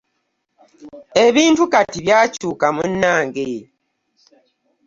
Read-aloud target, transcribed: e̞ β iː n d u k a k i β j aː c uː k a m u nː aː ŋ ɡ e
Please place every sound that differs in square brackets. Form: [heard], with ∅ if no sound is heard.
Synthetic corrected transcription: e̞ β iː n [t] u k a [t] i β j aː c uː k a m u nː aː ŋ ɡ e